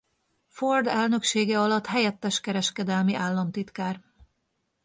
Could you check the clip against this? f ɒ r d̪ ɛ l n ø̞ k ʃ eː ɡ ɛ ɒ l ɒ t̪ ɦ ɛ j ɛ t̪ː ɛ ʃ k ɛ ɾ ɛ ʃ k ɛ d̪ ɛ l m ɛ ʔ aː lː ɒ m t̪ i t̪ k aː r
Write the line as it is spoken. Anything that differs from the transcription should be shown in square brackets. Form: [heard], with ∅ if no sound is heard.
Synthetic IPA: f [o] r d̪ ɛ l n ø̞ k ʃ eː ɡ ɛ ɒ l ɒ t̪ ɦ ɛ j ɛ t̪ː ɛ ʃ k ɛ ɾ ɛ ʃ k ɛ d̪ ɛ l m [i] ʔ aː lː ɒ m t̪ i t̪ k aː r